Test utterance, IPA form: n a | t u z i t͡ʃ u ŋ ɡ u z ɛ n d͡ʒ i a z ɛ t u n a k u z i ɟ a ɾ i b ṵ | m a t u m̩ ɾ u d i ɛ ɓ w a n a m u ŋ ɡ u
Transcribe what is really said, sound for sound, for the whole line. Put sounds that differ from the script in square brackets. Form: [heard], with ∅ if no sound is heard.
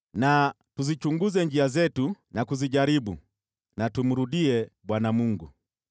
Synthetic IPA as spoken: n a | t u z i t͡ʃ u ŋ ɡ u z ɛ [ɲ] d͡ʒ i a z ɛ t u n a k u z i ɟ a ɾ i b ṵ | [n] a t u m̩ ɾ u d i ɛ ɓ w a n a m u ŋ ɡ u